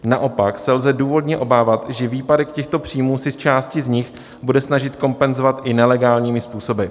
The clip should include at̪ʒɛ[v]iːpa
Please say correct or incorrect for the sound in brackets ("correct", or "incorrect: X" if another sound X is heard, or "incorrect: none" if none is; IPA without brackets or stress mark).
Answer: correct